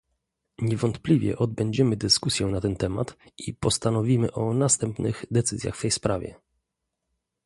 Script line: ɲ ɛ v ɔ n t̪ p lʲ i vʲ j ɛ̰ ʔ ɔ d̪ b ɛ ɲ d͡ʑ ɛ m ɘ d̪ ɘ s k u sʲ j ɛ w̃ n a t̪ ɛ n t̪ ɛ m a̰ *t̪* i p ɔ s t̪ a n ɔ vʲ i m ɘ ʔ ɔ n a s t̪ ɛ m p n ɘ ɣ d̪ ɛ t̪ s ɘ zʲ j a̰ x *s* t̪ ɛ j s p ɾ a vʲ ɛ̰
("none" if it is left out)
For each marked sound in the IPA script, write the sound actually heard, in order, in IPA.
t̪, f

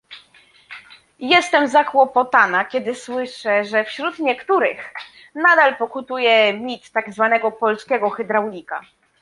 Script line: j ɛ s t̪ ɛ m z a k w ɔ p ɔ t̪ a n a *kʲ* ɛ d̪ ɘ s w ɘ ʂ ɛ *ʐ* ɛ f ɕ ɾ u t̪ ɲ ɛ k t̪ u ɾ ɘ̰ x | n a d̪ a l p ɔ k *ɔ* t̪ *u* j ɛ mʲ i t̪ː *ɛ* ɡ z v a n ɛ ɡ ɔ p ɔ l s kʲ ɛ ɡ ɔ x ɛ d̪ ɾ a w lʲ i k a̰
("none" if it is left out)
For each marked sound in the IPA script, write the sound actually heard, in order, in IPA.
kʲ, ʐ, u, u, a

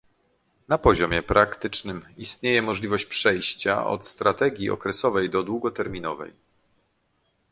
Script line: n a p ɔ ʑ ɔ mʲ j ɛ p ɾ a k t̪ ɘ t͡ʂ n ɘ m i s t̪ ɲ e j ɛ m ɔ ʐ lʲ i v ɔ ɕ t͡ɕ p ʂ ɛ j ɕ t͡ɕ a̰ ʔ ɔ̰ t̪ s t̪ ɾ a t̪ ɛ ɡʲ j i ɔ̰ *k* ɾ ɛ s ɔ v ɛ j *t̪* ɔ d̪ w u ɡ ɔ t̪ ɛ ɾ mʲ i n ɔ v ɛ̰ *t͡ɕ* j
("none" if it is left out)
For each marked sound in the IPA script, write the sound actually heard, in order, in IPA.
k, d̪, none

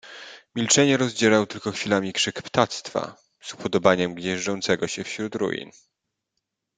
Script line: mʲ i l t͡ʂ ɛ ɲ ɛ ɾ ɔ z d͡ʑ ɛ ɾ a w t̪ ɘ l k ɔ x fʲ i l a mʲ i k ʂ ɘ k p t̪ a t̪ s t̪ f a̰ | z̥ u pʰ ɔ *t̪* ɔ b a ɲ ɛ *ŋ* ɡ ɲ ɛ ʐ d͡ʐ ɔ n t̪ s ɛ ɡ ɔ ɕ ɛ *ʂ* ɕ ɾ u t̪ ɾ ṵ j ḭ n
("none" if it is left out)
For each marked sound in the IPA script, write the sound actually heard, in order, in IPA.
d̪, m, f

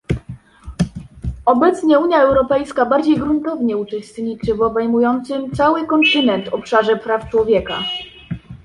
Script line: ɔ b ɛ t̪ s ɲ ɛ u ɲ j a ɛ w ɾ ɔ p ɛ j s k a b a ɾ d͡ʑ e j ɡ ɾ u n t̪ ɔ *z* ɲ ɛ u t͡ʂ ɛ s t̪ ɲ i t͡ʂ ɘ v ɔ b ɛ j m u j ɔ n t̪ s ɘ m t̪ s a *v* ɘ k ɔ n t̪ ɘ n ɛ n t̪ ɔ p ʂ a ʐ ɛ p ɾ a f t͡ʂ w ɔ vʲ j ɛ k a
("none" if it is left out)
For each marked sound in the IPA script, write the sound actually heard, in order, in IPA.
v, w

